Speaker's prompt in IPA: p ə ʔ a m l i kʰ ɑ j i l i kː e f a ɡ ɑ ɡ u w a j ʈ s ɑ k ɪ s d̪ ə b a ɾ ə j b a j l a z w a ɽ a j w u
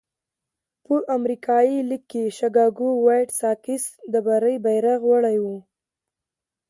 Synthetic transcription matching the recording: p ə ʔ a m ɾ i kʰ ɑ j i l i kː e ʃ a ɡ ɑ ɡ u w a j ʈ s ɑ k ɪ s d̪ ə b a ɾ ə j b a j ɾ a ɣ w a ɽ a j w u